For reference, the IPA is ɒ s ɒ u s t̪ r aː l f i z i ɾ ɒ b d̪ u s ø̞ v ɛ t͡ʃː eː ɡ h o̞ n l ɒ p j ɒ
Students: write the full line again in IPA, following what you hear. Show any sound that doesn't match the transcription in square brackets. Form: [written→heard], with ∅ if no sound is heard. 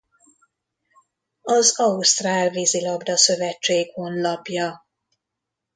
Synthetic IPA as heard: ɒ [s→z] ɒ u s t̪ r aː l [f→v] i z i [ɾ→l] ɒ b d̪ [u→ɒ] s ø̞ v ɛ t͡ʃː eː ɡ h o̞ n l ɒ p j ɒ